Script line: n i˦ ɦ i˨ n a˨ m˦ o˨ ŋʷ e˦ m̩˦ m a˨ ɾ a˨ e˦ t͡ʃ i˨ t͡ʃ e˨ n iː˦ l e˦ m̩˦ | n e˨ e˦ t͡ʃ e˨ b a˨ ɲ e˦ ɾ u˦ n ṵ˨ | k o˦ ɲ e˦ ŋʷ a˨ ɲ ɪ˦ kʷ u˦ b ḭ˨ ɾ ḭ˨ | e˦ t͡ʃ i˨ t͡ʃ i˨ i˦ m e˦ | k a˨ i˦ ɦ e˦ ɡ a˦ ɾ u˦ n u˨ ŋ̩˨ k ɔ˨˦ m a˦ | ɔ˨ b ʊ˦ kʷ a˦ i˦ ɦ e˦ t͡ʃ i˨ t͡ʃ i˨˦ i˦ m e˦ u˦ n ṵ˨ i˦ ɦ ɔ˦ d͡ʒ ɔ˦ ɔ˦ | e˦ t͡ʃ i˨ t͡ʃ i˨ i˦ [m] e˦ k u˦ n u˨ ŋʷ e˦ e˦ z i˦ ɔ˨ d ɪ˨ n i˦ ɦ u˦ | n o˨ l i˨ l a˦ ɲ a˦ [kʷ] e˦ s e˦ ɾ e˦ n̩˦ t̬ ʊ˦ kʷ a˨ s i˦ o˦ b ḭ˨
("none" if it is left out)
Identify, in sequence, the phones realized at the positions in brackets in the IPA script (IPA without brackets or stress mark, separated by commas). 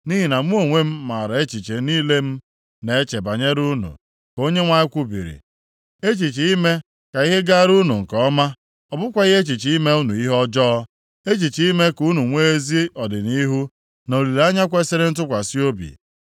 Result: m, kʷ